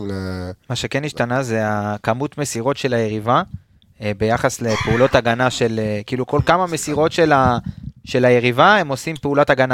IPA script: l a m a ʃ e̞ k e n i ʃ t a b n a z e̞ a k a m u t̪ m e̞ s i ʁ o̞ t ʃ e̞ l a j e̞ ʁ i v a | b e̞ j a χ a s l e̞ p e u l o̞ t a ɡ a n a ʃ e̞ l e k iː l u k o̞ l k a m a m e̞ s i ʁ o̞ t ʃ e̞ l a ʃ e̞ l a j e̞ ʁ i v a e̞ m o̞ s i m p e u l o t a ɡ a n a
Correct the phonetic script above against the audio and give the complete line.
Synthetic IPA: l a m a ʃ e̞ k e n i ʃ t a n a z e̞ a k a m u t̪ m e̞ s i ʁ o̞ t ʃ e̞ l a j e̞ ʁ i v a | b e̞ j a χ a s l e̞ p e u l o̞ t a ɡ a n a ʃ e̞ l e k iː l u k o̞ l k a m a m e̞ s i ʁ o̞ t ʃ e̞ l a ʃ e̞ l a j e̞ ʁ i v a e̞ m o̞ s i m p e u l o t a ɡ a n a